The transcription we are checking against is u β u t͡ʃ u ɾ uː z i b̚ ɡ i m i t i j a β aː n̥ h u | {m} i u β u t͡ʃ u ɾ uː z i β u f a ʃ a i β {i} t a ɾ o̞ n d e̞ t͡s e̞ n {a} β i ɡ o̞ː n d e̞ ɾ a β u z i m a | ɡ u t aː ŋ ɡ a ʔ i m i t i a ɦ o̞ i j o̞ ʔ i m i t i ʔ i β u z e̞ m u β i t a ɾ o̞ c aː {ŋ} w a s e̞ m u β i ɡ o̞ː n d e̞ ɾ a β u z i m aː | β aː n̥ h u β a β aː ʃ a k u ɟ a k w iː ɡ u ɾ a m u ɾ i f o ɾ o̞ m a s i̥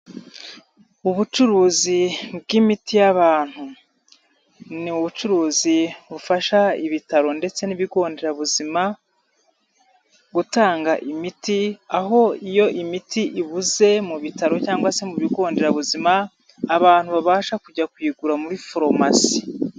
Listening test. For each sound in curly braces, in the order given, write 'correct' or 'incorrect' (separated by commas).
incorrect, correct, incorrect, correct